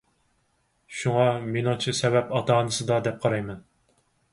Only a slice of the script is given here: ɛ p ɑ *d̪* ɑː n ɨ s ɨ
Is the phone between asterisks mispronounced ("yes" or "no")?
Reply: yes